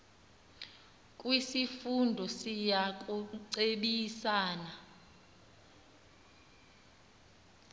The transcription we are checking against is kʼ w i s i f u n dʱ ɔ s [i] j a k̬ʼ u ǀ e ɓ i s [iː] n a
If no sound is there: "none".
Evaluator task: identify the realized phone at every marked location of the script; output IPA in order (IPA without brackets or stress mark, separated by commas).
i, aː